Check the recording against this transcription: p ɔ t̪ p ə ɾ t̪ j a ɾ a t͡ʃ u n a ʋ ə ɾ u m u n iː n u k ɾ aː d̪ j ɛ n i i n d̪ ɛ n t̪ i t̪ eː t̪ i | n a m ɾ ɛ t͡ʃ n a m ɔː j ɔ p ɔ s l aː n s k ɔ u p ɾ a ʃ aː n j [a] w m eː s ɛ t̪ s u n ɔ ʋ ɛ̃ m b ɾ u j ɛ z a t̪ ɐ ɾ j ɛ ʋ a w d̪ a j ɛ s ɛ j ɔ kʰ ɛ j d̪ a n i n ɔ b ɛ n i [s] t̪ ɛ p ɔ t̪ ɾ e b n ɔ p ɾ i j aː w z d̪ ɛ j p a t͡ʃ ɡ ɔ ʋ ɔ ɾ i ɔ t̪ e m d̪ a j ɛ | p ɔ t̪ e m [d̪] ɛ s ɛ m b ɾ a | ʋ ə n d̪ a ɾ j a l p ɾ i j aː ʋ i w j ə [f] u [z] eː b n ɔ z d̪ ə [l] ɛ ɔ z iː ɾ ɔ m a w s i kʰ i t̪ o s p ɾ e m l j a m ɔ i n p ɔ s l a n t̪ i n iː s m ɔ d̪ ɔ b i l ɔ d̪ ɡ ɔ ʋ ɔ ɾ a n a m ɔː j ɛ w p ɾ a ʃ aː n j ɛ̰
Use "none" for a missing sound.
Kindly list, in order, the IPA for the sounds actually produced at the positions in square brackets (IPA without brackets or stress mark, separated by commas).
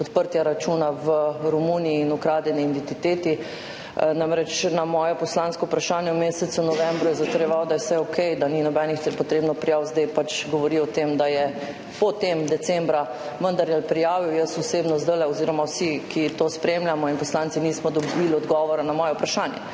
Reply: ɛ, x, d̪, s, s, l